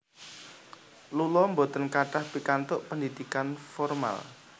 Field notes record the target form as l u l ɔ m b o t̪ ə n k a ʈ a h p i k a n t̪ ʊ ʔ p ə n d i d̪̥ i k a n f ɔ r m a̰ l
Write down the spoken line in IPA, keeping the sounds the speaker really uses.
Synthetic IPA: l u l ɔ m b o t̪ ə n k a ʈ a h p i k a n t̪ ʊ ʔ p ə n d i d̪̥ i k a n f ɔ r m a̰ l